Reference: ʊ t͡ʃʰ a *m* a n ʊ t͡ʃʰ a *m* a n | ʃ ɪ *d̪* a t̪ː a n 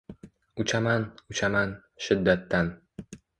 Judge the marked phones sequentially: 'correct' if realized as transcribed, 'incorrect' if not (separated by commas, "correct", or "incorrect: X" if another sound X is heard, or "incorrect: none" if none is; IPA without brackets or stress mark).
correct, correct, incorrect: d̪ː